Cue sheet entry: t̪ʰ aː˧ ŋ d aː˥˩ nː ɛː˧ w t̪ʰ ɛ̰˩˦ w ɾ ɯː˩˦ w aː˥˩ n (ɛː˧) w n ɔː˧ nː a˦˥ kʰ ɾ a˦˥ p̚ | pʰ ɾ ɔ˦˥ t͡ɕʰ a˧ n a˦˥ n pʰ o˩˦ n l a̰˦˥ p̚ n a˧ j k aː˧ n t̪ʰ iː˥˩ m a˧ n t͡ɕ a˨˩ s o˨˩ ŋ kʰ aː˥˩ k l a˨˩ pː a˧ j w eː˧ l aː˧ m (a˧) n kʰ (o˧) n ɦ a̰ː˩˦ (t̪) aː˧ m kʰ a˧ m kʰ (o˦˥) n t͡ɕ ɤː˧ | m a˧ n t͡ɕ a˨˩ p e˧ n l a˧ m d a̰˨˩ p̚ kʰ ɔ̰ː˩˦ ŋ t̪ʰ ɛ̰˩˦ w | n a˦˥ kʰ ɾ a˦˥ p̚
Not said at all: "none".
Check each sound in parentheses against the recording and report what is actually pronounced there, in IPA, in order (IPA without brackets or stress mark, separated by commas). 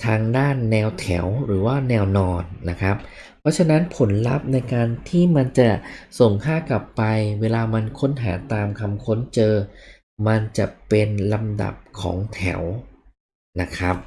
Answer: ɛː˧, a˧, o˦˥, t̪, o˦˥